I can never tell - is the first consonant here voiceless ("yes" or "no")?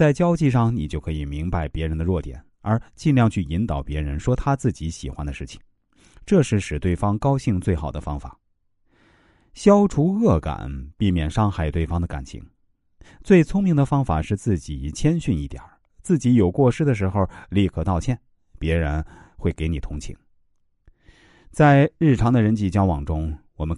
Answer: yes